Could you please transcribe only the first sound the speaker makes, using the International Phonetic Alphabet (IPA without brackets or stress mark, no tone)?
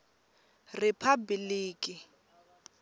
r